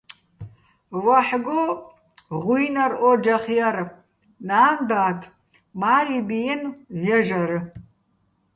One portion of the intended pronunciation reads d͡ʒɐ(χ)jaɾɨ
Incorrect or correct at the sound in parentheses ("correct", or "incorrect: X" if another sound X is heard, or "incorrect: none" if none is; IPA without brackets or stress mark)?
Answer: correct